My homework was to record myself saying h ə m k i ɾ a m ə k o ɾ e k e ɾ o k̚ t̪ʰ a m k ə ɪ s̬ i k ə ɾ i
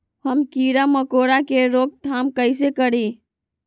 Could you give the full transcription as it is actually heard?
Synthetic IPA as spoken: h ə m k i ɾ a m ə k o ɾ a k e ɾ o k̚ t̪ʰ a m k ə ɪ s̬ e k ə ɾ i